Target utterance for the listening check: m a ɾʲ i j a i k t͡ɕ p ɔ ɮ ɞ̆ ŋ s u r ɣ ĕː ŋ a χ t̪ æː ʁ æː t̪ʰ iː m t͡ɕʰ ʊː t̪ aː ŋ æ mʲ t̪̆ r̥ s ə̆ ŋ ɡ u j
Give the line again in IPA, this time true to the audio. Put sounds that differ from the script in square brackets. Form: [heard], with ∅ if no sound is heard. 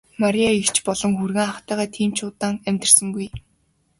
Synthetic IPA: m a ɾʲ i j a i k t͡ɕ p ɔ ɮ ɞ̆ ŋ [x] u r ɣ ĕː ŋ a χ t̪ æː ʁ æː t̪ʰ iː m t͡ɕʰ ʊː t̪ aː ŋ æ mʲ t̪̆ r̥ s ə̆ ŋ ɡ u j